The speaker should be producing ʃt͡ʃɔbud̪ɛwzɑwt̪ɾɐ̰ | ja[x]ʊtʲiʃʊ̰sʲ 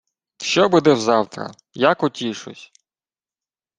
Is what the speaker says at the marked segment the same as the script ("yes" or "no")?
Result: no